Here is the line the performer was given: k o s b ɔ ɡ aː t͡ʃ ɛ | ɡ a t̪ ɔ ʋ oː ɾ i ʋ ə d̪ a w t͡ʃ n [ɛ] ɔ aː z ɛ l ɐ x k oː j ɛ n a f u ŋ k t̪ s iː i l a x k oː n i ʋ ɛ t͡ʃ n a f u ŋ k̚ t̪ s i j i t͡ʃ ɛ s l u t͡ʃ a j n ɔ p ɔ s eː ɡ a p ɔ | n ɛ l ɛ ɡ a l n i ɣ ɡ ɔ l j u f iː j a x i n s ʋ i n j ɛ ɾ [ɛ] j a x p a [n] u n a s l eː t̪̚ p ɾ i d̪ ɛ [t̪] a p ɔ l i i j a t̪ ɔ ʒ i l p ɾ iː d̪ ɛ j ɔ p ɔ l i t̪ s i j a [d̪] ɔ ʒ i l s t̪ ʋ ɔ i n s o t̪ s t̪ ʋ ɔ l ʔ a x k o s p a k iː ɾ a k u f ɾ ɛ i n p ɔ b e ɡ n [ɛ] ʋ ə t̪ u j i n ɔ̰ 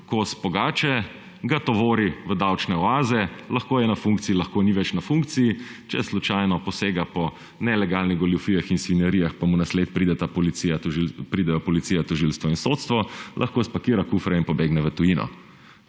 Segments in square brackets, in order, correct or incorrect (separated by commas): correct, incorrect, incorrect, correct, incorrect, correct